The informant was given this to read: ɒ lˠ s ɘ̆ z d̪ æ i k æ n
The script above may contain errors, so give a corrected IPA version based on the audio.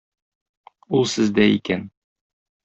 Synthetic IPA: u lˠ s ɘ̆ z d̪ æ i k æ n